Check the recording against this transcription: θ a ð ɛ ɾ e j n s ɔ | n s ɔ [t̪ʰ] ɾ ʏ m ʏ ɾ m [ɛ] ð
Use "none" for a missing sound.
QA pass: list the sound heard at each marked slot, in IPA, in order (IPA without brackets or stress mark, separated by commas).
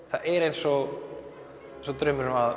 t̪, a